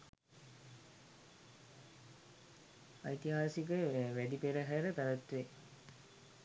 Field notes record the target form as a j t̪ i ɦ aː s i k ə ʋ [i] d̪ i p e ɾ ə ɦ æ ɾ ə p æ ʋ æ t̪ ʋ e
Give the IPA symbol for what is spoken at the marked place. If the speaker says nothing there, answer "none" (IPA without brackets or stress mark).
æ